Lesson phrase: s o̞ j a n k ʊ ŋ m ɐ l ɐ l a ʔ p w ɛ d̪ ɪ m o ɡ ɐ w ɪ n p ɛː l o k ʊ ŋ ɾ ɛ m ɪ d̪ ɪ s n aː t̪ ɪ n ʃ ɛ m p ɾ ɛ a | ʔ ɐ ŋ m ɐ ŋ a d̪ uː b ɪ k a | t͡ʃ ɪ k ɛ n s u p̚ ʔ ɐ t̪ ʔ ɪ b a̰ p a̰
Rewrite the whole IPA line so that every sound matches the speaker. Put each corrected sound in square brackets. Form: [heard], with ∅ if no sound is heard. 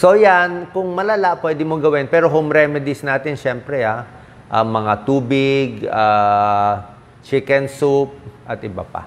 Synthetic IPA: s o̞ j a n k ʊ ŋ m ɐ l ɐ l a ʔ p w ɛ d̪ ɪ m o ɡ ɐ w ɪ n p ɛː [ɾ] o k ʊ ŋ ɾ ɛ m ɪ d̪ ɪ s n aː t̪ ɪ n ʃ ɛ m p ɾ ɛ a | ʔ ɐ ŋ m ɐ ŋ a [t̪] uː b ɪ [ɡ] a | t͡ʃ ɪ k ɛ n s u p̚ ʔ ɐ t̪ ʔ ɪ b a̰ p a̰